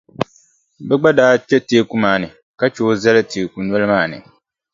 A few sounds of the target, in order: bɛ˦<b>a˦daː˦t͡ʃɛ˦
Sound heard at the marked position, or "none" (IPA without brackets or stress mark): ɡ͡b